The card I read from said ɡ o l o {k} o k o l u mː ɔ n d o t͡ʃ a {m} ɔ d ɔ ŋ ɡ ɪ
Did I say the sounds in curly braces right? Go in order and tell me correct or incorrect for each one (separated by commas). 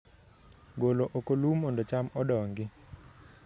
incorrect, correct